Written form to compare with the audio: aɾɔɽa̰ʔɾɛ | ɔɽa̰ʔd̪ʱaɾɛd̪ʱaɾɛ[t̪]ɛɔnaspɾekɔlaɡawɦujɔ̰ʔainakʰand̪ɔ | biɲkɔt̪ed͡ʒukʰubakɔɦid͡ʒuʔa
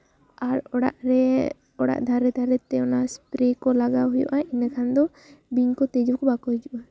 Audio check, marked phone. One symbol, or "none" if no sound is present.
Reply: t̪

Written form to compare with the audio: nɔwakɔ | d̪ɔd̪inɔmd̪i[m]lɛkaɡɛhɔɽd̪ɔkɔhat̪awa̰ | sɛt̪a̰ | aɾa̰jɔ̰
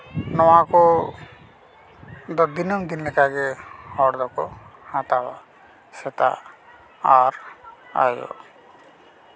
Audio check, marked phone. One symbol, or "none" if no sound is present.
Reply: n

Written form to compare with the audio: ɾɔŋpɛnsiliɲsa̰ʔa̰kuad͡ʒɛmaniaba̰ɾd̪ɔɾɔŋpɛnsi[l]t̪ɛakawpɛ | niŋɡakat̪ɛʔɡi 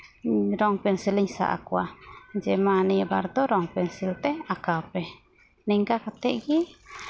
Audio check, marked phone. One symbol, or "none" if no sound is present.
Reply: l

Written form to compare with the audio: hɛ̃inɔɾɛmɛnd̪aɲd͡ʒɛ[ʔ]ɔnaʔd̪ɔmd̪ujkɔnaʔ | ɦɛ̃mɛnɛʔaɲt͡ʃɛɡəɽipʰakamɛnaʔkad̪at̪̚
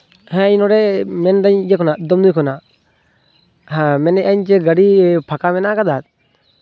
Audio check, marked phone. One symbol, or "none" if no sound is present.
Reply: k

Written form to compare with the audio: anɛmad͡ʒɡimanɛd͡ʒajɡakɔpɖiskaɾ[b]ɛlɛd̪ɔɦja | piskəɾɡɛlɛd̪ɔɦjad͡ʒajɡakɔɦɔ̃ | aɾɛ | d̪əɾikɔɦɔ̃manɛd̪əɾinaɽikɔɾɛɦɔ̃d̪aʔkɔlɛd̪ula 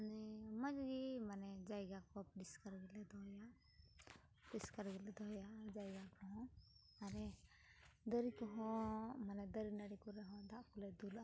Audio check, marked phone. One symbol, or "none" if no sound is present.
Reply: ɡ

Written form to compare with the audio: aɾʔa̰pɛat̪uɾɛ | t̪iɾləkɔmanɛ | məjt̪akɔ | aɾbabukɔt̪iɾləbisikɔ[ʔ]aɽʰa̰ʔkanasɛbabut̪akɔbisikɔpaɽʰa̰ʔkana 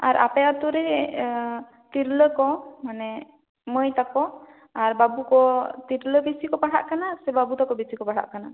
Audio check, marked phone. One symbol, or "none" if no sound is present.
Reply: p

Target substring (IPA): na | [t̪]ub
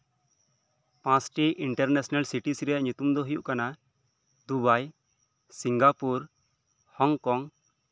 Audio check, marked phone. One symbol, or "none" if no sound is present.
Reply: d̪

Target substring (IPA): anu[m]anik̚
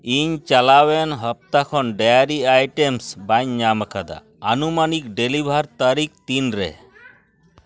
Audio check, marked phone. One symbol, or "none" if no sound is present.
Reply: m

